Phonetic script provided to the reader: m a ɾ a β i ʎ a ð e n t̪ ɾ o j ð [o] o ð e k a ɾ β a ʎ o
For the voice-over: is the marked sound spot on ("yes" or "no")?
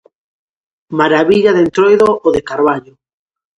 yes